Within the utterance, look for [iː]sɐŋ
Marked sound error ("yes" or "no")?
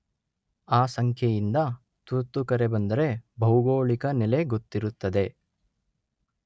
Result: yes